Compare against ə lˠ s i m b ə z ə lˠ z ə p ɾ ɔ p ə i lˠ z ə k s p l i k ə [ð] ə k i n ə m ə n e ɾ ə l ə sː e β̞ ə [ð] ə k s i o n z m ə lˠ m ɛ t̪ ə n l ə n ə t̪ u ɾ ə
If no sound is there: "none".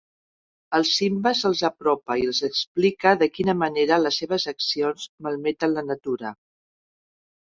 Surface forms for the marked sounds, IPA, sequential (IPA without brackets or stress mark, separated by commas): ð, z